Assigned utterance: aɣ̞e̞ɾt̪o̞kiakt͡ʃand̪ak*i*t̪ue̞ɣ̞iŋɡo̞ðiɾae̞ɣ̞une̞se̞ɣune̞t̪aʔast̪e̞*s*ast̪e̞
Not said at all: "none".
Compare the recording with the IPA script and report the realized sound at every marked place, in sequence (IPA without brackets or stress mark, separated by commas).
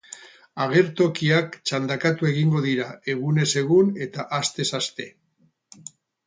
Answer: a, s